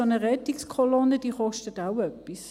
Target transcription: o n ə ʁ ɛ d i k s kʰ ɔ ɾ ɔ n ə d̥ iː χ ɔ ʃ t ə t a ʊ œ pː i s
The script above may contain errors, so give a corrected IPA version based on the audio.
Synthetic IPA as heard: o n ə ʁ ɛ t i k s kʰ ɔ l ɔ n ə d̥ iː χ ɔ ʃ t ə t a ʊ œ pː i s